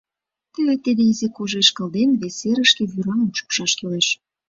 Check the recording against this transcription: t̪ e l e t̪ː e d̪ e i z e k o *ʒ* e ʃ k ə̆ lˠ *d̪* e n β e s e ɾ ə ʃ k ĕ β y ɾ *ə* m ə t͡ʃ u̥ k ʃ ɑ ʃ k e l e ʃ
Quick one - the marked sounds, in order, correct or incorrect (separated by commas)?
correct, correct, incorrect